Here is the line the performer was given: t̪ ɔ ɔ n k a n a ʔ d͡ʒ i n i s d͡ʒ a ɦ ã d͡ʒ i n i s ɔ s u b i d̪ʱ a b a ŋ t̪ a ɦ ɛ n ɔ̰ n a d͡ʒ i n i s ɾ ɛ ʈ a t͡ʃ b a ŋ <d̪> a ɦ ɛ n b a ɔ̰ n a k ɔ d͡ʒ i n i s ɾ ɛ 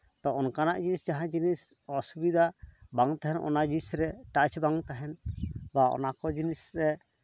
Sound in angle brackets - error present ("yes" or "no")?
yes